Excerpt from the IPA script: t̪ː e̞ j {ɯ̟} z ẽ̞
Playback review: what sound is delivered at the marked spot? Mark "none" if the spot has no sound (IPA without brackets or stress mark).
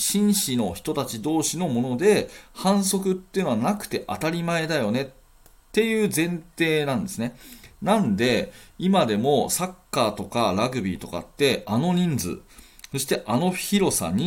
ɯ̟ː